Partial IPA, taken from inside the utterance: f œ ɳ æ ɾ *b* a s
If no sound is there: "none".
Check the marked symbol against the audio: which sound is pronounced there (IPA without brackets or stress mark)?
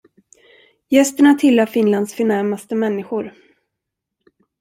m